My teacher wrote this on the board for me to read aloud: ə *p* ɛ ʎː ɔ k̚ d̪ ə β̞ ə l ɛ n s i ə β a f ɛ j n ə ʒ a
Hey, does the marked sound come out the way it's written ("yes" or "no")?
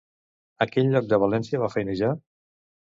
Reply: no